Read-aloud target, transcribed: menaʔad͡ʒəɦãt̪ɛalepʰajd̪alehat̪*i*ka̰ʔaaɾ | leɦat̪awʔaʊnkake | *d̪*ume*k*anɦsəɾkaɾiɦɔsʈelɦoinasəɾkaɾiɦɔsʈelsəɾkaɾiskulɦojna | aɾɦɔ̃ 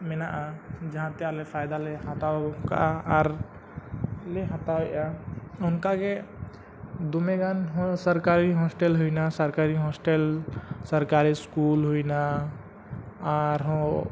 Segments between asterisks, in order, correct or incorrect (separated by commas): incorrect, correct, incorrect